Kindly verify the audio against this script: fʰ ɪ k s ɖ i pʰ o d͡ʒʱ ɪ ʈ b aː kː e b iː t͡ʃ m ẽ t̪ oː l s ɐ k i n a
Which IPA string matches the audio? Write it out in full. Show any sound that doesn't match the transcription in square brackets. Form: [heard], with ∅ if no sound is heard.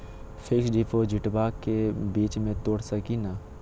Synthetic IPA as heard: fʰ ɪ k s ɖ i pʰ o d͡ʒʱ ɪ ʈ b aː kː e b iː t͡ʃ m ẽ t̪ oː [ɽ] s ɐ k i n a